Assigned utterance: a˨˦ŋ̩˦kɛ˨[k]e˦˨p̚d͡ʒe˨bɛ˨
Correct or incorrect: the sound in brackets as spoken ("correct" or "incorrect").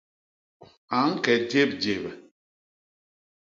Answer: incorrect